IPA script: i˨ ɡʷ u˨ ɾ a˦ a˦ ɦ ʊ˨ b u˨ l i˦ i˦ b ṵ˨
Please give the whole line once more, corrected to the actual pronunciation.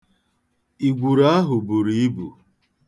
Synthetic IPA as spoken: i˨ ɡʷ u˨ ɾ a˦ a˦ ɦ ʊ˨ b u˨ ɾ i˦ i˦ b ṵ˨